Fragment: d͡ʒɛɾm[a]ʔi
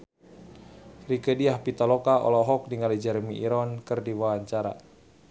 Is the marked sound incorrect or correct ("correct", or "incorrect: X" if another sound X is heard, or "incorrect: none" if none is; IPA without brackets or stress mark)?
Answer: incorrect: i